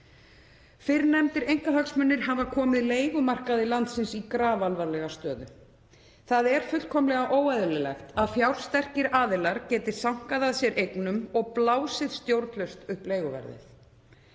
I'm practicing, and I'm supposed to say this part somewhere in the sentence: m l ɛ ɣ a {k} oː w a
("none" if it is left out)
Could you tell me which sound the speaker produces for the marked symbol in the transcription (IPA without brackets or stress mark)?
ʔ